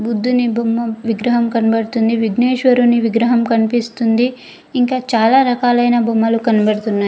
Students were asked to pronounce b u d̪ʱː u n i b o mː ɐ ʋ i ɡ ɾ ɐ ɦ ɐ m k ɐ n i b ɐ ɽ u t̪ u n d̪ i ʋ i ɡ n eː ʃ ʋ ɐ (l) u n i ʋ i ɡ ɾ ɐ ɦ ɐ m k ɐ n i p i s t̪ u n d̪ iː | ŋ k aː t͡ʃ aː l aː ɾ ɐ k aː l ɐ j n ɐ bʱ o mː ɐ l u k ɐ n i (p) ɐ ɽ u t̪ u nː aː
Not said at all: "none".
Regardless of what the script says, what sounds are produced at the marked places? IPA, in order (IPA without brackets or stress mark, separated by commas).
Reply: ɾ, b